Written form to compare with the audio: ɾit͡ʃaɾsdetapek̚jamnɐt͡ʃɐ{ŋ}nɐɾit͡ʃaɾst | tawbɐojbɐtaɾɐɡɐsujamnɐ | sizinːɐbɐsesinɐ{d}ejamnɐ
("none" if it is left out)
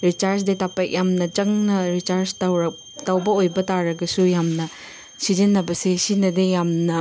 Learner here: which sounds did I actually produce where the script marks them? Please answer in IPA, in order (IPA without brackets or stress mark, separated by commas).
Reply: ŋ, d